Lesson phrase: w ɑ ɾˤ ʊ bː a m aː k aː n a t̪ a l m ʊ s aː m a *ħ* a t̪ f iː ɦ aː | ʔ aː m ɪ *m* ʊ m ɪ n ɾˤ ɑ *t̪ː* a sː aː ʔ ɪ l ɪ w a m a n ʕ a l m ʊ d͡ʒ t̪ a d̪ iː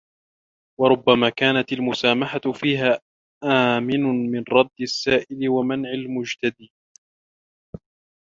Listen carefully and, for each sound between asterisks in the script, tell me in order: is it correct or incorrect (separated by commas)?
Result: correct, incorrect, incorrect